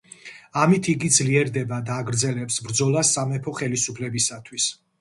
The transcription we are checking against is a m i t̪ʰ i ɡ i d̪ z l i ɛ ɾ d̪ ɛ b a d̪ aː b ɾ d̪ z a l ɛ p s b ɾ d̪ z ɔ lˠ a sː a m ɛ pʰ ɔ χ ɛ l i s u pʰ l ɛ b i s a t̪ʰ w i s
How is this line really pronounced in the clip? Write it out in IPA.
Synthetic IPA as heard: a m i t̪ʰ i ɡ i d̪ z l i ɛ ɾ d̪ ɛ b a d̪ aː ɡ ɾ d̪ z ɛ l ɛ p s b ɾ d̪ z ɔ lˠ a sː a m ɛ pʰ ɔ χ ɛ l i s u pʰ l ɛ b i s a t̪ʰ w i s